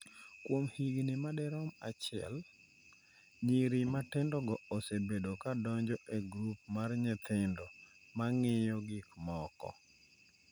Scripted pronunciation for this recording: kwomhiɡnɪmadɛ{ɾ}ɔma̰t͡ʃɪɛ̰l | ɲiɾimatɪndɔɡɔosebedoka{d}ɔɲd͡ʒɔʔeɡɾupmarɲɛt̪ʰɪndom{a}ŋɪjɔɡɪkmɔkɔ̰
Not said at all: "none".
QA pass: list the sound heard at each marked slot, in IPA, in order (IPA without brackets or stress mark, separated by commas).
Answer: ɾ, d, a